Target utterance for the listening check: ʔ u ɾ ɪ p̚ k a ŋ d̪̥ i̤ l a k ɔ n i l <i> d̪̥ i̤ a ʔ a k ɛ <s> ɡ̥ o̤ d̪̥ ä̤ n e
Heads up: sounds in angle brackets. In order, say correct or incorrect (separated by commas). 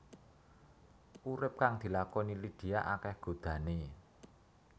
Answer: correct, incorrect